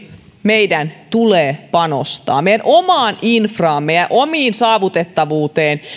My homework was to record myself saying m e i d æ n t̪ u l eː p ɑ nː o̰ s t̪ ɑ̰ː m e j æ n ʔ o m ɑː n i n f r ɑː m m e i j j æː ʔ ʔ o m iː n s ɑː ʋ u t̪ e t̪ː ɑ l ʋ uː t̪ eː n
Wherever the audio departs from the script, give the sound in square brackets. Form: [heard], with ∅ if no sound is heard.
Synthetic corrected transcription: m e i d æ n t̪ u l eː p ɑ [n] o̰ s t̪ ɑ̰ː m e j æ n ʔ o m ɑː n i n f r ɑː m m e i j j [æ] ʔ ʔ o m iː n s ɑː ʋ u t̪ e t̪ː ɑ [∅] ʋ uː t̪ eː n